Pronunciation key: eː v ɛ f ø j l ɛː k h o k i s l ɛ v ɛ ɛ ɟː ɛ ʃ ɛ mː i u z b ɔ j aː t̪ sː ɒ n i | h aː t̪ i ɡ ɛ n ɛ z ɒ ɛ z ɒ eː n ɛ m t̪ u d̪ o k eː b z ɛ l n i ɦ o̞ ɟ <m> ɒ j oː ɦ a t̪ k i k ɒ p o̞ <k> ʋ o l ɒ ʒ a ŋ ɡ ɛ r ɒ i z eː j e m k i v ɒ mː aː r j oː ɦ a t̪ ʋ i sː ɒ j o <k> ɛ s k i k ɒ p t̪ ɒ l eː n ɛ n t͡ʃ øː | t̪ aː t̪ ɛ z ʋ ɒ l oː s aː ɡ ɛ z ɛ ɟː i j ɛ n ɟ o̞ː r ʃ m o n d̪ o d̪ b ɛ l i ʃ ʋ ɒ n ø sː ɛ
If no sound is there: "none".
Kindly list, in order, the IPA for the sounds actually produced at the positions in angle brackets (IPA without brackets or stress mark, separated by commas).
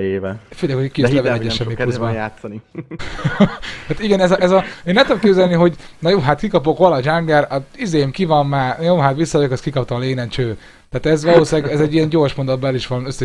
n, k, k